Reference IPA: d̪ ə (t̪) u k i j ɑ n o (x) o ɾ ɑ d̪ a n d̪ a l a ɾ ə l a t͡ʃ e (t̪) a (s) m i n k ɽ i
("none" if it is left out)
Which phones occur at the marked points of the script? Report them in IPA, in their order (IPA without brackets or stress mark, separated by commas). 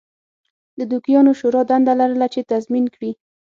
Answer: d̪, ʃ, t̪, z